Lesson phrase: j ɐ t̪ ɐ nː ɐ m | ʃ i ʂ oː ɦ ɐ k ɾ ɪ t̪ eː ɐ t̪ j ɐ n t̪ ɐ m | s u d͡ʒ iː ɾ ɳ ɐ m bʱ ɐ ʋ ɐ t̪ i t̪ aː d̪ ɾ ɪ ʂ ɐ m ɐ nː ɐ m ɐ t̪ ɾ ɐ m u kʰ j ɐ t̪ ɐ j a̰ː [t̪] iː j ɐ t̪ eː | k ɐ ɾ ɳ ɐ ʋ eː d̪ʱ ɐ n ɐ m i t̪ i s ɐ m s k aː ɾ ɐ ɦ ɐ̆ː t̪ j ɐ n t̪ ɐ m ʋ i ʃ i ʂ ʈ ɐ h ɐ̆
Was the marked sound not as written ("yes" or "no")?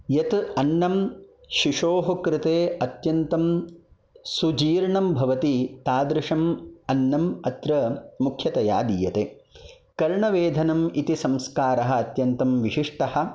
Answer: yes